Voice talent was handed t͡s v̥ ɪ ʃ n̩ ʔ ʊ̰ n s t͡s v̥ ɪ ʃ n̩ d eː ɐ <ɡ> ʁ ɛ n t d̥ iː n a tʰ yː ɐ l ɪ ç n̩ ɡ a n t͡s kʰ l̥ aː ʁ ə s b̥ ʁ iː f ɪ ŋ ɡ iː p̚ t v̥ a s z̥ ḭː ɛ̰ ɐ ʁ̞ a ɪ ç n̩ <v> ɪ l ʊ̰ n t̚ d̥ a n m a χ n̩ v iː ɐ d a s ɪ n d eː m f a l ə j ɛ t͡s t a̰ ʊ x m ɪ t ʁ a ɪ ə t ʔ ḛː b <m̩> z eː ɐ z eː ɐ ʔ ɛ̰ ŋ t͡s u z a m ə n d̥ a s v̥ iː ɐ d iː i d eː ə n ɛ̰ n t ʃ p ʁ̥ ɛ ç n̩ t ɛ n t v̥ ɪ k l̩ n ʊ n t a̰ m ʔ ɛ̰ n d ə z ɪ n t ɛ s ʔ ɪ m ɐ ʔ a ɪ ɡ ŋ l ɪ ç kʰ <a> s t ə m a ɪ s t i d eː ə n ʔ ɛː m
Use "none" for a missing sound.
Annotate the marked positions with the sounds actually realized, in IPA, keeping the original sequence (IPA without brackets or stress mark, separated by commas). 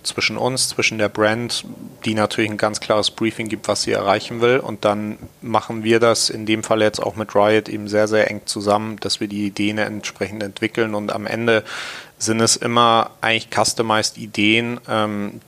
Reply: b, v, m̩, a